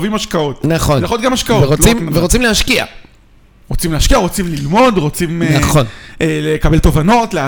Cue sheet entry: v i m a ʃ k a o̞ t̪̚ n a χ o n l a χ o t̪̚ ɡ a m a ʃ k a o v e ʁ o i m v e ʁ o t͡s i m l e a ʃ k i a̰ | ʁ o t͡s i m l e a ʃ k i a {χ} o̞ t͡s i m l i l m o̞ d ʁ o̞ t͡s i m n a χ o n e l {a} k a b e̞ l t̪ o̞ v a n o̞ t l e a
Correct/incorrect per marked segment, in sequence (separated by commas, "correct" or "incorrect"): incorrect, incorrect